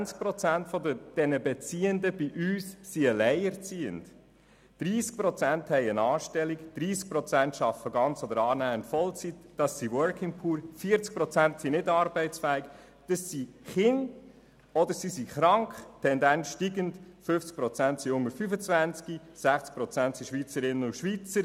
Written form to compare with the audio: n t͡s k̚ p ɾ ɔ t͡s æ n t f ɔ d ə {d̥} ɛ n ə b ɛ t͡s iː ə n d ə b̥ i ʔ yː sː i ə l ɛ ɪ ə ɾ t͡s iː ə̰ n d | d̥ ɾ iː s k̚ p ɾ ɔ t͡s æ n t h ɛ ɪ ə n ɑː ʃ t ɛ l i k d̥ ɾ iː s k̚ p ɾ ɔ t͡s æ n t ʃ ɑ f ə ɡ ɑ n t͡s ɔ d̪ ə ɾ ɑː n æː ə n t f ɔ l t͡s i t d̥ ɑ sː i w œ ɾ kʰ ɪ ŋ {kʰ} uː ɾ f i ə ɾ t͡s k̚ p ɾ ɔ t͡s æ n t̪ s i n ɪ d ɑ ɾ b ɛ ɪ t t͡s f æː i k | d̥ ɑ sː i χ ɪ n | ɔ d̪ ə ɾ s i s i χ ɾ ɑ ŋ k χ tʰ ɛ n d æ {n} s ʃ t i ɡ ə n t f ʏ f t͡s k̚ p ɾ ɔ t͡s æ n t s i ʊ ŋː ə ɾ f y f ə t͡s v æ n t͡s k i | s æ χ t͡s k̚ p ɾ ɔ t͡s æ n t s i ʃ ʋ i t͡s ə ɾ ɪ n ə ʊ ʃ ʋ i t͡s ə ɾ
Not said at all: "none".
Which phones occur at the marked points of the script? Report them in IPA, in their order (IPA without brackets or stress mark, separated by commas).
d̥, pʰ, n